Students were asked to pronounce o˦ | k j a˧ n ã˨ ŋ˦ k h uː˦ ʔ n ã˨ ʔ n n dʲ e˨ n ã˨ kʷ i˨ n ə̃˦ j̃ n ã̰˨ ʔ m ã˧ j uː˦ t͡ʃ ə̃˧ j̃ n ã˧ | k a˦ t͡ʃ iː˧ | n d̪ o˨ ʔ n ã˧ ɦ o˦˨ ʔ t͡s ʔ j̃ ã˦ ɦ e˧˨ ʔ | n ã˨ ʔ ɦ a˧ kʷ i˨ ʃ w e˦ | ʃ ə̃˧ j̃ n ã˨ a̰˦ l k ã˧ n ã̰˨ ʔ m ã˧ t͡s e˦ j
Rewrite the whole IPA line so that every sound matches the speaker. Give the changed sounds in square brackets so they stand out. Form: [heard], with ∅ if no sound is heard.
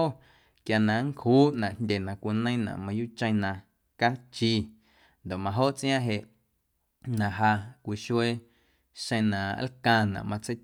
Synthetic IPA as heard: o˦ | k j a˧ n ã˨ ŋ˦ k h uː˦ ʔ n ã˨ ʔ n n dʲ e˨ n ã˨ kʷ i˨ n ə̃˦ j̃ n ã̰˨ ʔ m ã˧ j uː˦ t͡ʃ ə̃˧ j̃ n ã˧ | k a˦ t͡ʃ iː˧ | n d̪ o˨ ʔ [m] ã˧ ɦ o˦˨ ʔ t͡s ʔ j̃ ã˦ ɦ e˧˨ ʔ | n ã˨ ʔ ɦ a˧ kʷ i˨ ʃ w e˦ | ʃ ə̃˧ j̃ n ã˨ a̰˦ l k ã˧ n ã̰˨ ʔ m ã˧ t͡s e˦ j

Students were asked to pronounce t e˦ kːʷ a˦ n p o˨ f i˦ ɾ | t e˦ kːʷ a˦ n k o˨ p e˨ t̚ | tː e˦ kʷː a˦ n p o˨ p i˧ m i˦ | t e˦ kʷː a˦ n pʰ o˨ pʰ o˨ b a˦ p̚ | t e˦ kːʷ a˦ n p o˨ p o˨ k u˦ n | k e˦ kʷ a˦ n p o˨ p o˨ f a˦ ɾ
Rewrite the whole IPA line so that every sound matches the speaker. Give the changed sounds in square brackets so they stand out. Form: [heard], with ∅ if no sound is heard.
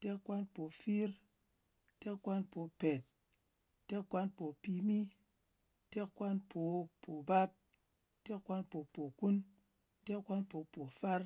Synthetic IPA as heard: t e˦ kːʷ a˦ n p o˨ f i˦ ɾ | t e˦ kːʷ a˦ n [p] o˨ p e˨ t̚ | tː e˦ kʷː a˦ n p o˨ p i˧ m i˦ | t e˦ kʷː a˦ n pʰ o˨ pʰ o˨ b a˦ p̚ | t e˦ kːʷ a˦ n p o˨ p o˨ k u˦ n | [t] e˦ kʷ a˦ n p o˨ p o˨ f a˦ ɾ

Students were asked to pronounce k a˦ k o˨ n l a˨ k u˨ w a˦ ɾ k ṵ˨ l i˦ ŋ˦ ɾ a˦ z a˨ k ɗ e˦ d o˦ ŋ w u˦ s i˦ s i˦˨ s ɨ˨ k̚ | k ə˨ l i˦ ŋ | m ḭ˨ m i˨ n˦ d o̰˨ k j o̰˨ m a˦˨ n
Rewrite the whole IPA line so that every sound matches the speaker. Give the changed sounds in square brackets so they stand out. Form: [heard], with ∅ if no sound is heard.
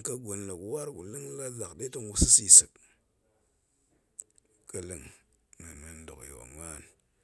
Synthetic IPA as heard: k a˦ [ɡ] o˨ n l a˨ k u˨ w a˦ ɾ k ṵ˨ l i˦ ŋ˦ [l] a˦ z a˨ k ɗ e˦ [t] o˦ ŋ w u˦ s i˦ s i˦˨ s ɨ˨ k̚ | k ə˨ l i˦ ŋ | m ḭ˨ m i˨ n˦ d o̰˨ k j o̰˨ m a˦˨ n

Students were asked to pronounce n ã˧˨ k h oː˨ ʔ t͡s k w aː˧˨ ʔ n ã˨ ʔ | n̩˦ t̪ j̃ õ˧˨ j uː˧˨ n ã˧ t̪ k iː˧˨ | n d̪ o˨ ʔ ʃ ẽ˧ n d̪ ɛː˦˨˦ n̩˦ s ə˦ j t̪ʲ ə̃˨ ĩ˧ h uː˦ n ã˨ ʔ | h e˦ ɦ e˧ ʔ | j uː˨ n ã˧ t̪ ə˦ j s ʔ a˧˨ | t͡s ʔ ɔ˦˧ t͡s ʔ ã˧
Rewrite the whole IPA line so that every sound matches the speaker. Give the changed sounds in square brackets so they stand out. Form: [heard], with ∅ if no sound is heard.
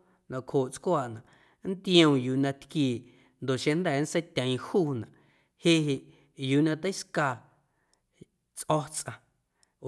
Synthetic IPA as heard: n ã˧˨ k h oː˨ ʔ t͡s k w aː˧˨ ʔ n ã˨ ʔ | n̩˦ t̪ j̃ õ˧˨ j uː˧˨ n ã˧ t̪ k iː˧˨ | n d̪ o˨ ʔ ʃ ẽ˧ n d̪ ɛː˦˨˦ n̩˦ s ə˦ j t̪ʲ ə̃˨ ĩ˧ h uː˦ n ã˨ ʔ | h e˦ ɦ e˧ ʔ | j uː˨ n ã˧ t̪ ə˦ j s [k] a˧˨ | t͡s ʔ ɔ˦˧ t͡s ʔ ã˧

